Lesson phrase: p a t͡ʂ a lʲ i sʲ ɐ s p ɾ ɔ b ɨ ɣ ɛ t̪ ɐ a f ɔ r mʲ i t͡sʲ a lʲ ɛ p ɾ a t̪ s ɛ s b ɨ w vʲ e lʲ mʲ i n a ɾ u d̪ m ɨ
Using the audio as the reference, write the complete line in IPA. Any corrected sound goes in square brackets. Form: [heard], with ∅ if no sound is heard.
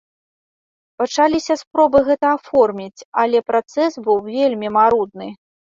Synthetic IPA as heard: p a t͡ʂ a lʲ i sʲ ɐ s p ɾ ɔ b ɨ ɣ ɛ t̪ ɐ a f ɔ r mʲ i t͡sʲ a lʲ ɛ p ɾ a t̪ s ɛ s b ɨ w vʲ e lʲ mʲ i [m] a ɾ u d̪ [n] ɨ